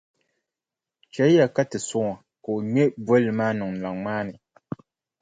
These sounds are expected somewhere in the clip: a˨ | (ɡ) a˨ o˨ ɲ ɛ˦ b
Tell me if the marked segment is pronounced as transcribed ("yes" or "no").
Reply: no